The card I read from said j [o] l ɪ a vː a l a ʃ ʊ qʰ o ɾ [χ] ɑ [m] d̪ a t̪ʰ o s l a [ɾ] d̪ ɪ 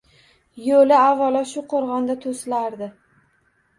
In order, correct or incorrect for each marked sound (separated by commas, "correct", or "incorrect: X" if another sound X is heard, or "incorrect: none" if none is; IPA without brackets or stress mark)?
correct, incorrect: ʁ, incorrect: n, correct